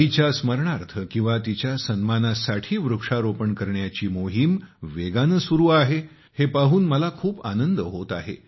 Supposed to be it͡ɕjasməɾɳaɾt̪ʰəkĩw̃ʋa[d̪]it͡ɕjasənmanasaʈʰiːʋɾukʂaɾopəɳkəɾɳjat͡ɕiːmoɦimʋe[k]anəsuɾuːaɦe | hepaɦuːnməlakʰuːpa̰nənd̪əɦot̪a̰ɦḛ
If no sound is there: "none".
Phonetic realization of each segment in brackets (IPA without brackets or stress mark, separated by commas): t̪, ɡ